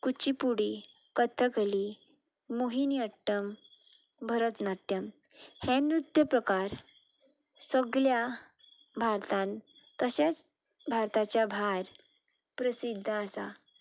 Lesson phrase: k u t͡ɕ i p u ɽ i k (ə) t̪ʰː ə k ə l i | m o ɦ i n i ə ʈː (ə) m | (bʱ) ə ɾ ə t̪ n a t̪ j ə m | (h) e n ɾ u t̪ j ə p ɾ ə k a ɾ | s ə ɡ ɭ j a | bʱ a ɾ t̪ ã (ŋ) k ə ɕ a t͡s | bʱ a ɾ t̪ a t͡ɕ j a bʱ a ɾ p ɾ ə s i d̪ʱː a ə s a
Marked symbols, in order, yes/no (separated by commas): yes, yes, yes, yes, no